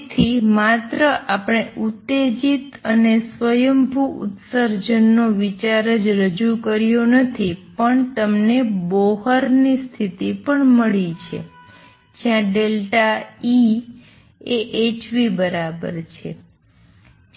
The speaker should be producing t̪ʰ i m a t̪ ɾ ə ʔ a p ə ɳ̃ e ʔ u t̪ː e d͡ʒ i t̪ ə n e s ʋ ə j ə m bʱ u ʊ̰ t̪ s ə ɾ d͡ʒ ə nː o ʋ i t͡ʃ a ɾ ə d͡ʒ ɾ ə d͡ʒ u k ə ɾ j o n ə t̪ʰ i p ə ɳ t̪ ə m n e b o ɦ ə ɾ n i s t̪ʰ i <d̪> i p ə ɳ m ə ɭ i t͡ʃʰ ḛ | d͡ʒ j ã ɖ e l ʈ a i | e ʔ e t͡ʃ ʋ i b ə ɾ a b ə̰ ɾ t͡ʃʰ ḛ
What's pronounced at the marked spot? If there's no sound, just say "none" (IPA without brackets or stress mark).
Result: t̪